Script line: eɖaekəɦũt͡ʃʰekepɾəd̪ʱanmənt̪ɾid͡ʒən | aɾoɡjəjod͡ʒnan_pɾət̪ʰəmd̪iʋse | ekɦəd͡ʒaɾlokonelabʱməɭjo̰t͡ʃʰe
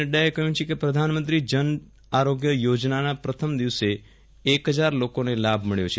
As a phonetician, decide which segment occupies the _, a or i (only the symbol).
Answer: a